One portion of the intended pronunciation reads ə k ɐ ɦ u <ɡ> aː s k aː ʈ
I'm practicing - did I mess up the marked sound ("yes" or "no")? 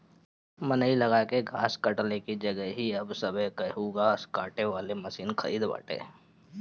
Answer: no